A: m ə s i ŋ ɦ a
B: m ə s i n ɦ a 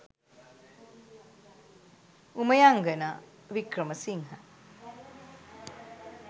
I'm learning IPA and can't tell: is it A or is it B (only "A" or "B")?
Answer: A